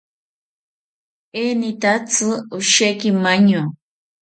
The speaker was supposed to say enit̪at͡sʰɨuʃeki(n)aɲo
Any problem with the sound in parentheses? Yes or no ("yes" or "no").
yes